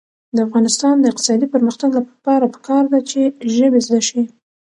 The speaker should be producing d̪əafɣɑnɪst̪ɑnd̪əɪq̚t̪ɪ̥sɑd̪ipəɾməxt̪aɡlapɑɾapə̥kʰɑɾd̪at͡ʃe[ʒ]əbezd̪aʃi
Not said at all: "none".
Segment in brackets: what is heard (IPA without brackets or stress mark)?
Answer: ʒ